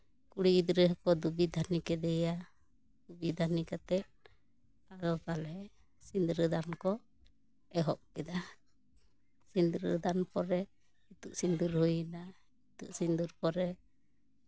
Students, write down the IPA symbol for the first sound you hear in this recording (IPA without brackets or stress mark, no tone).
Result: k